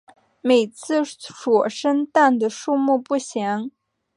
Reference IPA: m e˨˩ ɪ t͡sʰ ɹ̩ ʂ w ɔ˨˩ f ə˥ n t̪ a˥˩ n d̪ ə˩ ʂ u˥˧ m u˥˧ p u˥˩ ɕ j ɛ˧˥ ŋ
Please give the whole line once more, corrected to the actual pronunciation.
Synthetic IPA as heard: m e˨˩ ɪ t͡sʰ ɹ̩ ʂ w ɔ˨˩ ʂ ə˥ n t̪ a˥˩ n d̪ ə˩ ʂ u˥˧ m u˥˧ p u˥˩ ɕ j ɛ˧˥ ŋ